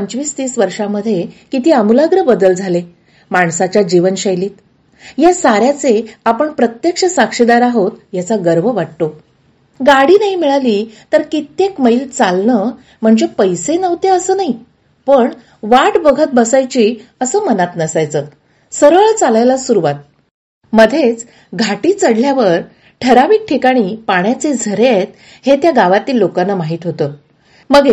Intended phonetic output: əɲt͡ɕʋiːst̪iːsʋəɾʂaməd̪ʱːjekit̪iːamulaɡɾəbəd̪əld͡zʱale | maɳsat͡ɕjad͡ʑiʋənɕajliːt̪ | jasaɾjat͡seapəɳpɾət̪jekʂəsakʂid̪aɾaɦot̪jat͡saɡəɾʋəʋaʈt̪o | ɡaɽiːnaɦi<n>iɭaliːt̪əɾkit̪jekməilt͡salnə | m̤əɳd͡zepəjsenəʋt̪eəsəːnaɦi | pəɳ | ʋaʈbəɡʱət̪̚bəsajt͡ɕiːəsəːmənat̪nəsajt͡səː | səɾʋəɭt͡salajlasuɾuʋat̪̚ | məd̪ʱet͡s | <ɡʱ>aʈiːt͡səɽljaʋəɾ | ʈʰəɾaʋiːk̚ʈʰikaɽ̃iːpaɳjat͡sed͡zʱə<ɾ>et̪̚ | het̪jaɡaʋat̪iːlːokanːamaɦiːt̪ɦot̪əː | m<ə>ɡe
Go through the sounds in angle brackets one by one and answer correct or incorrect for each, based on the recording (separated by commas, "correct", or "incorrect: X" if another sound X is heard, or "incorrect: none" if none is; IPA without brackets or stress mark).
incorrect: m, correct, correct, correct